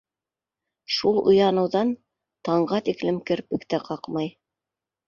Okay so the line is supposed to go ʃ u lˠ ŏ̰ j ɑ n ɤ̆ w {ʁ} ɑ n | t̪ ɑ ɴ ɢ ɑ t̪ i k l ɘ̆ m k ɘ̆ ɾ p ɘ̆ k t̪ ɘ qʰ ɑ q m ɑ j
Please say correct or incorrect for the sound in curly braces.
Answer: incorrect